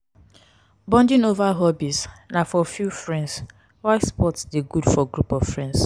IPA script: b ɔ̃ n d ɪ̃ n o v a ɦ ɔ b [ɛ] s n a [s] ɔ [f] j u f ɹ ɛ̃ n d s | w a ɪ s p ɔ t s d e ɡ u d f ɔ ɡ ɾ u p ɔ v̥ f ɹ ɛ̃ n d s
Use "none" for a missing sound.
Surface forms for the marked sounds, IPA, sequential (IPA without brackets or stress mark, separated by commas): i, f, f